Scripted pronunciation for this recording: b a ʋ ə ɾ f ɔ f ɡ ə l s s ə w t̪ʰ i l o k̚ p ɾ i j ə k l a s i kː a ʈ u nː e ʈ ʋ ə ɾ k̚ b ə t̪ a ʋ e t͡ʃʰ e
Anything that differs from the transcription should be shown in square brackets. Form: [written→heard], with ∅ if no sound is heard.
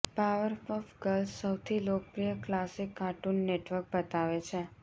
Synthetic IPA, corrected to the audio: [b→p] a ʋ ə ɾ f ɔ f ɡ ə l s s ə w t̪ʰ i l o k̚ p ɾ i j ə k l a s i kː a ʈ u nː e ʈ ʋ ə ɾ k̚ b ə t̪ a ʋ e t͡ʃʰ e